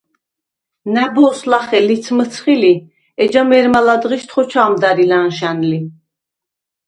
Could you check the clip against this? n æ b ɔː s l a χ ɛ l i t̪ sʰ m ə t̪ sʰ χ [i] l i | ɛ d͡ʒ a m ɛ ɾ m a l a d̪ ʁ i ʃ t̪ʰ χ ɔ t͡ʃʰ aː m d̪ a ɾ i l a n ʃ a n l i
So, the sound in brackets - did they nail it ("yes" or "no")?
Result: yes